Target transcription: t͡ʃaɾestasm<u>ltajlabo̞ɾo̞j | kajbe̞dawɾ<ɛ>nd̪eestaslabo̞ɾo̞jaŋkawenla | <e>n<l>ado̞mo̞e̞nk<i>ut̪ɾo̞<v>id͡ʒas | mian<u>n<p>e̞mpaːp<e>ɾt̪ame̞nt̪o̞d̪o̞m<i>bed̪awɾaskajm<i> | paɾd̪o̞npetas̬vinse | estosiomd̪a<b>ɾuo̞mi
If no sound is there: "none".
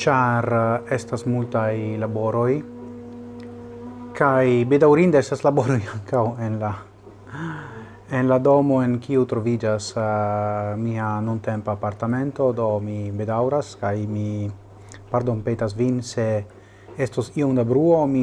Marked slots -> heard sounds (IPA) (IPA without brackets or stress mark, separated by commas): u, i, e, l, i, v, u, t, a, i, i, b